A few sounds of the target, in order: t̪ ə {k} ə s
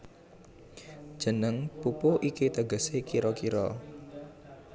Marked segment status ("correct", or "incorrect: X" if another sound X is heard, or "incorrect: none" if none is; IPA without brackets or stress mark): incorrect: ɡ